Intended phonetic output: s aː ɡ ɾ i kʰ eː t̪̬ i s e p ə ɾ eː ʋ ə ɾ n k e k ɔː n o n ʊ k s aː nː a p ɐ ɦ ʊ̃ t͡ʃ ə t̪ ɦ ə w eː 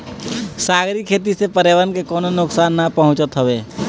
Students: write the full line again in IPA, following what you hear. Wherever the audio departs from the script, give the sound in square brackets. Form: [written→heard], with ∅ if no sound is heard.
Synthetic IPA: s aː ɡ ɾ i kʰ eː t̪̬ i s e p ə ɾ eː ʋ ə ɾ n k e k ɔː n o n ʊ k s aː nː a p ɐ ɦ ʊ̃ t͡ʃ ə t̪ ɦ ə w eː